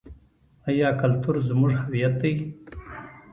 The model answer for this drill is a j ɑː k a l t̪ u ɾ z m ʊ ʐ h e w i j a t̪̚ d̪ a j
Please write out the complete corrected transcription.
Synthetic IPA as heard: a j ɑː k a l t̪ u ɾ z m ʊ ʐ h a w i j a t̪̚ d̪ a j